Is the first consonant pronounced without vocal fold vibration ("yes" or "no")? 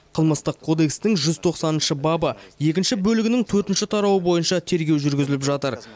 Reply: yes